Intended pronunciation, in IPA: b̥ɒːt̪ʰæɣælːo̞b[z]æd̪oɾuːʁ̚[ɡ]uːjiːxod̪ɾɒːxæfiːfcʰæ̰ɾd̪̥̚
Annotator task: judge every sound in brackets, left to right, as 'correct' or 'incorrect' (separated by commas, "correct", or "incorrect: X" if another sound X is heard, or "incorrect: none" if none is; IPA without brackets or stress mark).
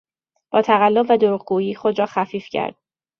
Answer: incorrect: v, correct